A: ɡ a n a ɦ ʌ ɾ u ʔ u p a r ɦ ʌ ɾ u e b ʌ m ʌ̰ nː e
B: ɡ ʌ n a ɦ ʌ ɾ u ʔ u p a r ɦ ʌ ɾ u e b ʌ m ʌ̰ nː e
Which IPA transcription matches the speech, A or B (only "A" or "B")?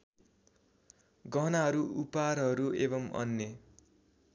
B